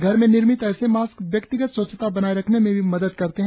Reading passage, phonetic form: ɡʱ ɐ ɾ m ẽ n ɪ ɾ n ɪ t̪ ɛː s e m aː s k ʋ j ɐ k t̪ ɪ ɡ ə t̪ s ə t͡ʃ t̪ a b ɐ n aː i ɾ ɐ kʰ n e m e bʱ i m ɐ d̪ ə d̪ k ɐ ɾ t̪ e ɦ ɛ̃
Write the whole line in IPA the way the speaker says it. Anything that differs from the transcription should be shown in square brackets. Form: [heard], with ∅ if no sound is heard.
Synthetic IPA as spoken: ɡʱ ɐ ɾ m ẽ n ɪ ɾ [m] ɪ t̪ ɛː s e m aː s k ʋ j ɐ k t̪ ɪ ɡ ə t̪ s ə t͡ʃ t̪ a b ɐ n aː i ɾ ɐ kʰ n e m [ẽ] bʱ i m ɐ d̪ ə d̪ k ɐ ɾ t̪ e ɦ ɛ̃